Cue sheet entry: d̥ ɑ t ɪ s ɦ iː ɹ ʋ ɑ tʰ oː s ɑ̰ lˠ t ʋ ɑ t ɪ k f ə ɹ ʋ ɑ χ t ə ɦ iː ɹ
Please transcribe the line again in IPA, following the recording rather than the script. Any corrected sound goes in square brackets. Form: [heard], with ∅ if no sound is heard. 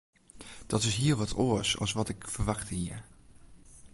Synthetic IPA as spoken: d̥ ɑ t ɪ s ɦ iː ɹ ʋ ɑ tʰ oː s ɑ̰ lˠ [s] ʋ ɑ t ɪ k f ə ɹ ʋ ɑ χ t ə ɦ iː ɹ